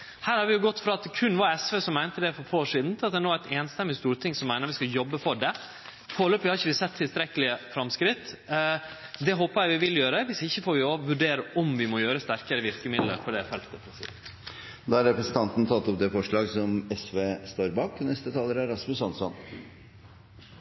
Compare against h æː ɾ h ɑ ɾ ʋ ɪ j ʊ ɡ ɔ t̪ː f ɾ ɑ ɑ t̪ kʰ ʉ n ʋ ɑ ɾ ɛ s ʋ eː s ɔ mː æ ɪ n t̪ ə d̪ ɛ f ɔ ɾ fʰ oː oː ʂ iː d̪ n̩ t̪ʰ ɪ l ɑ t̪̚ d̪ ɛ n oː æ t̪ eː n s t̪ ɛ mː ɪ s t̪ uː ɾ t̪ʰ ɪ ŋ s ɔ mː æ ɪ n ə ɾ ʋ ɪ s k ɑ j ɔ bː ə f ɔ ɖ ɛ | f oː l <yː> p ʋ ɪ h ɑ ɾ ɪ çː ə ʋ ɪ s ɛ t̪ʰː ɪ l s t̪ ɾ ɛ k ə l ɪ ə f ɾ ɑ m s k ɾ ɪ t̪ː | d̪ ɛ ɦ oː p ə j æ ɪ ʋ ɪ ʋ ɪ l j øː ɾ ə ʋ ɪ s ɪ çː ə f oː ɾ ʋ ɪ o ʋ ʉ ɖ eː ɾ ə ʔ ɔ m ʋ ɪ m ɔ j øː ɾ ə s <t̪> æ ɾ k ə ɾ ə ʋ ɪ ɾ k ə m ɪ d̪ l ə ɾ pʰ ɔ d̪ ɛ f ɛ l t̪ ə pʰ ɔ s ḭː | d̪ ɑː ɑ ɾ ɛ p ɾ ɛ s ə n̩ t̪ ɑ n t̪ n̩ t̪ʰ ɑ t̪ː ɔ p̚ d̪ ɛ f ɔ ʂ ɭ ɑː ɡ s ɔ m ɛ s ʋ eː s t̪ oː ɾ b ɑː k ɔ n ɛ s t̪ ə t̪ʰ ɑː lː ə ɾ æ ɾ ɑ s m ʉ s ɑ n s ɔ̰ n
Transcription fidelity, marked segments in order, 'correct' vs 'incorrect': incorrect: øː, correct

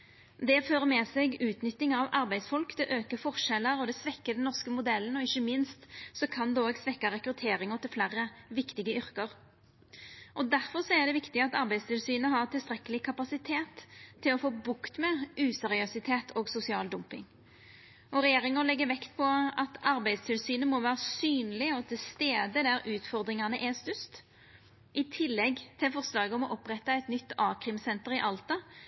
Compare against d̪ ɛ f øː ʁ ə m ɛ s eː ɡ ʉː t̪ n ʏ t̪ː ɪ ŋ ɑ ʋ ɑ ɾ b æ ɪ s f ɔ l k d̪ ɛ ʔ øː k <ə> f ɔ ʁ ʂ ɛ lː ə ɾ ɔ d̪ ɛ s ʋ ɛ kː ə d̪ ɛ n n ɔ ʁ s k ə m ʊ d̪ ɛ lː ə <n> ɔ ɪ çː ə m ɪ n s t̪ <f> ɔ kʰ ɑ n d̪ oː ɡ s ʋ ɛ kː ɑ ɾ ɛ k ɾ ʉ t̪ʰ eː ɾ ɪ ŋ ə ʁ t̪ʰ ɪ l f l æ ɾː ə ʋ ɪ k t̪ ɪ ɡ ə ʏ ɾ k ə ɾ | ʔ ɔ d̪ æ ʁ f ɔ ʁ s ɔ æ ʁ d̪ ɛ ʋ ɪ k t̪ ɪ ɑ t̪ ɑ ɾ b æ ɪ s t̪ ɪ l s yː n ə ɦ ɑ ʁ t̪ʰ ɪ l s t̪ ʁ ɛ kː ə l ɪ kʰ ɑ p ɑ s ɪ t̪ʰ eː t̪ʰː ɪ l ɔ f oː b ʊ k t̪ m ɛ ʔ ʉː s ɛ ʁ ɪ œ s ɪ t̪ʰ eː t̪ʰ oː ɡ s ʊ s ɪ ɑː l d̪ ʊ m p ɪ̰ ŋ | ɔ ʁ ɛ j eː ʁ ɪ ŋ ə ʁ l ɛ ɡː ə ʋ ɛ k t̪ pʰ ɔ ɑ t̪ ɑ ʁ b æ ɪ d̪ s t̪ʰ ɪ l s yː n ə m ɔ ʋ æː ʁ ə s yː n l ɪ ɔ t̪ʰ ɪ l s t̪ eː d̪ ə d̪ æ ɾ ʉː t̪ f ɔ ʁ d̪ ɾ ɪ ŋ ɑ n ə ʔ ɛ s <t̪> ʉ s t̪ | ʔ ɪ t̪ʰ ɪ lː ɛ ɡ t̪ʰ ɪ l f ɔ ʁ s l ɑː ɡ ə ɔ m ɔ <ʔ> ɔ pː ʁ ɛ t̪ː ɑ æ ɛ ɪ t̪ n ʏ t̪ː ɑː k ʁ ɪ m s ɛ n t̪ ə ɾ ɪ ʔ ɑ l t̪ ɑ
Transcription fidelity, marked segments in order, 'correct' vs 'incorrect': correct, correct, incorrect: s, correct, correct

